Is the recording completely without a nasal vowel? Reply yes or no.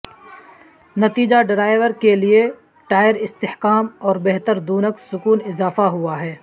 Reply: yes